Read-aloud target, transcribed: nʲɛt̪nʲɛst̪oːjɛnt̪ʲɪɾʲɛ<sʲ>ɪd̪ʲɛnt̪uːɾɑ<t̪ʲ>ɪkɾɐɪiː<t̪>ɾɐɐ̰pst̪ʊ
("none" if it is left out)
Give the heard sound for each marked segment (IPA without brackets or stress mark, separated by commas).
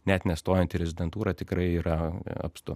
zʲ, t̪ʲ, none